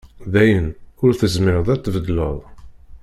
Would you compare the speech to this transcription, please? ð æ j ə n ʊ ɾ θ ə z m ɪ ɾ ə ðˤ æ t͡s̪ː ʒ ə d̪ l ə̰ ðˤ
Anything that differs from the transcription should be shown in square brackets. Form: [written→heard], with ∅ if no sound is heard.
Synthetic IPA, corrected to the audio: ð æ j ə n ʊ ɾ θ ə z m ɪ ɾ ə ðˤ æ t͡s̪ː [ʒ→v] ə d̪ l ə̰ ðˤ